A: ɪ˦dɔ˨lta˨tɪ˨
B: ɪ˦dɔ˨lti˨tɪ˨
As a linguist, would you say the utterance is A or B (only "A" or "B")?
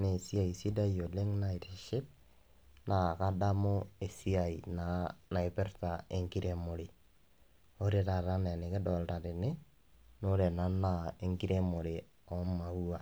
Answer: A